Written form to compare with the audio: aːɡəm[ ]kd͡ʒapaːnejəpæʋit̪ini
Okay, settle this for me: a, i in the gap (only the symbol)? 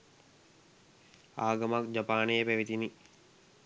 a